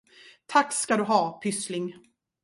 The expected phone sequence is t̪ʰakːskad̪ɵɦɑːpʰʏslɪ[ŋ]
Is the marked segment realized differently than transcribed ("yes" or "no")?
no